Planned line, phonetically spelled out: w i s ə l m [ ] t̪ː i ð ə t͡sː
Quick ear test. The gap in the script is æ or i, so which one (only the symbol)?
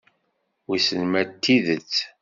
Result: æ